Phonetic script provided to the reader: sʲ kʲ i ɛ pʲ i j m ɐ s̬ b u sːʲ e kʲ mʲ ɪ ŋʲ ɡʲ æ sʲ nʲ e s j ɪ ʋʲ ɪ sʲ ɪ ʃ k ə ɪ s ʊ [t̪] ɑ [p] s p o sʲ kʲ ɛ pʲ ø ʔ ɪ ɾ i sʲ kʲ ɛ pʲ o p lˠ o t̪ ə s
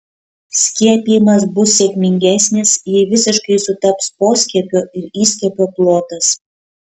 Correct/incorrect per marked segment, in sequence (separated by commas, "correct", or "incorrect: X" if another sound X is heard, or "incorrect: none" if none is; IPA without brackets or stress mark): correct, correct